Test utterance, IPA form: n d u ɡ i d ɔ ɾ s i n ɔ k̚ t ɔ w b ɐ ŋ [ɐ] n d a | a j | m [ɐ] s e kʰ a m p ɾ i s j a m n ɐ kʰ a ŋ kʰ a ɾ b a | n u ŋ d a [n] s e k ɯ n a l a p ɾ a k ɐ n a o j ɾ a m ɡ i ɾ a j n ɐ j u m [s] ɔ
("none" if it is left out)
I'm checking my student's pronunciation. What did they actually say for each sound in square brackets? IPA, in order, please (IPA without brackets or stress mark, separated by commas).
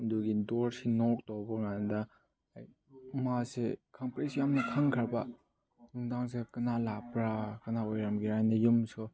a, a, ŋ, s